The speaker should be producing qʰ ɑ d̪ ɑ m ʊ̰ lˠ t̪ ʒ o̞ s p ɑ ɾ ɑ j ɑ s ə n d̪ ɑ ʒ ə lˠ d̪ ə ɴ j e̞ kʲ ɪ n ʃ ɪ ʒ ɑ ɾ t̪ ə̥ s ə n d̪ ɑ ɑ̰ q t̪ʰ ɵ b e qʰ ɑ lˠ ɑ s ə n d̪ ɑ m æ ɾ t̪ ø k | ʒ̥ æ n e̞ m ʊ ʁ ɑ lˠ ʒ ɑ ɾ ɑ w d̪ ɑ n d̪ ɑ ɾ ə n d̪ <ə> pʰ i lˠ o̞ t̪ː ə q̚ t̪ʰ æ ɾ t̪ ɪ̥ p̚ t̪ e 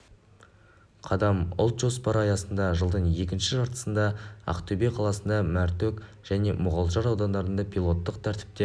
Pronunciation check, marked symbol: incorrect: ɑ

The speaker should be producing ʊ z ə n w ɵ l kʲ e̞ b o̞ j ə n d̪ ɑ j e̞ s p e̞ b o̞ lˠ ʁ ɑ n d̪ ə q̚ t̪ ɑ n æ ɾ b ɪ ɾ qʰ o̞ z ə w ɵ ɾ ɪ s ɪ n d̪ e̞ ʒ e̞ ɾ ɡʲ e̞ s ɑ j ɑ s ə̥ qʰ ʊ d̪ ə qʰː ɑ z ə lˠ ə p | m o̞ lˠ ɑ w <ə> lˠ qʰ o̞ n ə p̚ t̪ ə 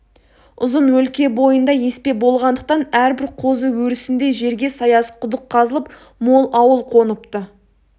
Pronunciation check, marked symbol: correct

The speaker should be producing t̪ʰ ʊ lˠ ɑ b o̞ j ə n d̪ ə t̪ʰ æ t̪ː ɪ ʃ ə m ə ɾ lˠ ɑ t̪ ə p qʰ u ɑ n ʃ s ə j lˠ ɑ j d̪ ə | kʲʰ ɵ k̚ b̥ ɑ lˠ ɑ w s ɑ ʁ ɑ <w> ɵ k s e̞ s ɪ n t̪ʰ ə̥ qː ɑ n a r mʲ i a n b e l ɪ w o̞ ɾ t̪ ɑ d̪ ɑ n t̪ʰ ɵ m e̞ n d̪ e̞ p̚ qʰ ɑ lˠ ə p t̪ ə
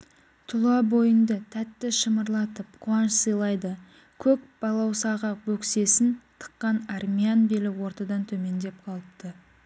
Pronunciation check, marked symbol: incorrect: b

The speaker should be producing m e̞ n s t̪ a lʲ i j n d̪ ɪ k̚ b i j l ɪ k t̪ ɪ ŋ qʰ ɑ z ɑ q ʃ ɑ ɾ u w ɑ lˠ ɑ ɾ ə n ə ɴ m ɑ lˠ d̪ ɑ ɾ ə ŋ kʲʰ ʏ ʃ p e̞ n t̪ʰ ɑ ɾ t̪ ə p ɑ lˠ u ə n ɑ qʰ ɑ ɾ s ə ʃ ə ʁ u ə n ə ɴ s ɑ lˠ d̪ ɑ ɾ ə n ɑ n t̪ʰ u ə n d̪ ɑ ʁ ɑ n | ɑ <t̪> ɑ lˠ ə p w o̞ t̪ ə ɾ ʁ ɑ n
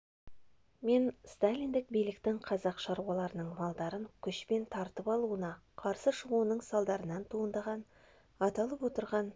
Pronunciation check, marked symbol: correct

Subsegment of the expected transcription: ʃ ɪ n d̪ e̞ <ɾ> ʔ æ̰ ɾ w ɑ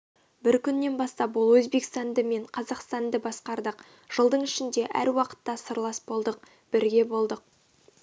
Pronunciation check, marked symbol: incorrect: none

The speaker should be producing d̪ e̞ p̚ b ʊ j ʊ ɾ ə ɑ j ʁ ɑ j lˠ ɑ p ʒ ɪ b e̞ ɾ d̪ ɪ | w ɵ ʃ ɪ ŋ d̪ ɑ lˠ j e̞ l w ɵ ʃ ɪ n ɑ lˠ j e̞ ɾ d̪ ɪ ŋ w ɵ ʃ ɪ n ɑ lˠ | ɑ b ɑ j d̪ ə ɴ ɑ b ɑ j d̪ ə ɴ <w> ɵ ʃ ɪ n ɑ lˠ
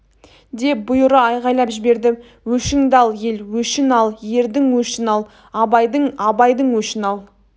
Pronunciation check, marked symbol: correct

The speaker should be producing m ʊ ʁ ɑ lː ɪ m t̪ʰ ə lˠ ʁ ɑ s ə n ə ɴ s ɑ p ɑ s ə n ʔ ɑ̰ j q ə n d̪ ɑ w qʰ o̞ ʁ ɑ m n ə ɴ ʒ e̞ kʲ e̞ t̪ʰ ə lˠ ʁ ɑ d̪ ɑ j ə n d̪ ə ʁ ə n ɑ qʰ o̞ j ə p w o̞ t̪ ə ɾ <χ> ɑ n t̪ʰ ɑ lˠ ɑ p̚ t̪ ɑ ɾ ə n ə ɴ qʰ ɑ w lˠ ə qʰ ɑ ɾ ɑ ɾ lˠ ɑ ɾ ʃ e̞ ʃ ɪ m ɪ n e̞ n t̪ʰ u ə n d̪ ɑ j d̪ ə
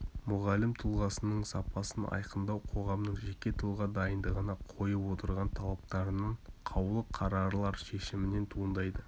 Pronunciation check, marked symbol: incorrect: ʁ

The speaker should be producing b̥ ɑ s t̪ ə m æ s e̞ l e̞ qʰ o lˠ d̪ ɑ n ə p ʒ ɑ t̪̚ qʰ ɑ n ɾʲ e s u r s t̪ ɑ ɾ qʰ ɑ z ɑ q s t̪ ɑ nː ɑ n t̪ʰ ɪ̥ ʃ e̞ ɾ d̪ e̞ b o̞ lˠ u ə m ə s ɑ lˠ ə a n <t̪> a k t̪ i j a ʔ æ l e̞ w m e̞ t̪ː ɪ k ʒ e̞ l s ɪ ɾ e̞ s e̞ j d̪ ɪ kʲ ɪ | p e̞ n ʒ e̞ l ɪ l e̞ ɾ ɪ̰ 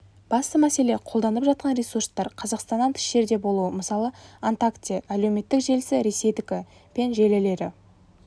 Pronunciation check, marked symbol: correct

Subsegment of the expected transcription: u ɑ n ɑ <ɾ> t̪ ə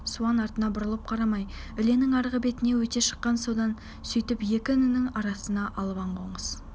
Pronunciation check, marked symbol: correct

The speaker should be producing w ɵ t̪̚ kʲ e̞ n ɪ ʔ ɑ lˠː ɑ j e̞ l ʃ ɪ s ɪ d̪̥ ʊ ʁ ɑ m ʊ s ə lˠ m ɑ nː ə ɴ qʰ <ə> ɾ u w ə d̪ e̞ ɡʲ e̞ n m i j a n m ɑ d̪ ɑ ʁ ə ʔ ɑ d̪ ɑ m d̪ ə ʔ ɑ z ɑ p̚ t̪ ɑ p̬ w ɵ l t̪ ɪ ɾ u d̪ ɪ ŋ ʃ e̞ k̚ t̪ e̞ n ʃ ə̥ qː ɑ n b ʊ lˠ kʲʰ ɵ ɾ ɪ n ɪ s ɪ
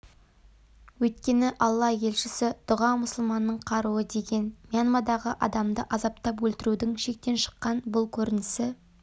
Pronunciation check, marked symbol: incorrect: ɑ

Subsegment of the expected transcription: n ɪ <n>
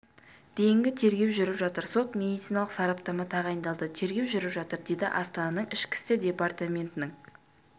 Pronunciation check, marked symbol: incorrect: ŋ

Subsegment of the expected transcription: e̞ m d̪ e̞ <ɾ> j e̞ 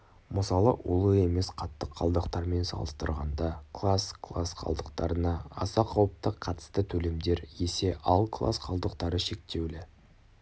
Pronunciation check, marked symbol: correct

